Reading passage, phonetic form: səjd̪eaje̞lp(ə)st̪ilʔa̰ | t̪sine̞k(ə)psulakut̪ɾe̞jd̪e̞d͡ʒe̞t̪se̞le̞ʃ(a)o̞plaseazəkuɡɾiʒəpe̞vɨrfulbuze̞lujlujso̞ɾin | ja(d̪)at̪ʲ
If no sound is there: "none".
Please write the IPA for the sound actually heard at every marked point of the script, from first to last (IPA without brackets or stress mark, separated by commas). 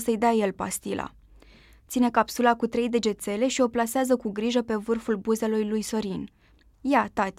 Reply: a, a, i, t̪